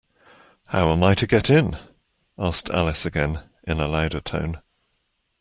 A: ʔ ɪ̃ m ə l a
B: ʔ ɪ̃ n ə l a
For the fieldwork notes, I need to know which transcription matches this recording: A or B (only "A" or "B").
B